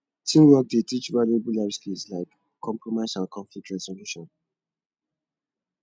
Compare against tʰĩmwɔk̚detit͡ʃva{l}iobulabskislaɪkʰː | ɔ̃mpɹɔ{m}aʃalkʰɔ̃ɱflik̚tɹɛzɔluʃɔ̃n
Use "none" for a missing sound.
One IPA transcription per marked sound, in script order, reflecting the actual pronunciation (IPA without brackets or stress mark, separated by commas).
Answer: l, m